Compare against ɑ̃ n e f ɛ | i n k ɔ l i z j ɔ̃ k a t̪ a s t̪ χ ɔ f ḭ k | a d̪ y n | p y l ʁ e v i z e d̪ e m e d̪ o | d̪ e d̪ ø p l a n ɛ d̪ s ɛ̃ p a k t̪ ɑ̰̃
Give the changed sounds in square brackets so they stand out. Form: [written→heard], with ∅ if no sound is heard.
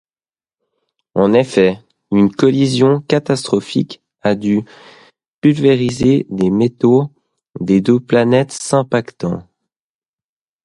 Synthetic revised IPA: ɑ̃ n e f ɛ | [i→y] n k ɔ l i z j ɔ̃ k a t̪ a s t̪ χ ɔ f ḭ k | a d̪ y [n→∅] | p y l [ʁ→v] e [v→ʁ] i z e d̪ e m e [d̪→t̪] o | d̪ e d̪ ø p l a n ɛ [d̪→t̪] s ɛ̃ p a k t̪ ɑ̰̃